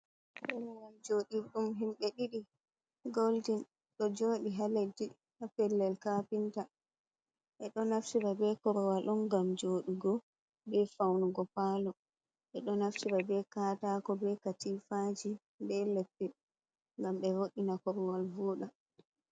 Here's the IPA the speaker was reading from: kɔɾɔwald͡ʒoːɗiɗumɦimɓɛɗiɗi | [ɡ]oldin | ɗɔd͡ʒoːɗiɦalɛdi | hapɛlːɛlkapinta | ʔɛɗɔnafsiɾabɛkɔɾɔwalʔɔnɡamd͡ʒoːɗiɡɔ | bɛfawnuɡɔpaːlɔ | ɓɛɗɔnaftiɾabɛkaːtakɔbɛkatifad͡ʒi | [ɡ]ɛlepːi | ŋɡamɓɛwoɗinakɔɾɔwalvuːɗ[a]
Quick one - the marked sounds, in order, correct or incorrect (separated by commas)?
correct, incorrect, correct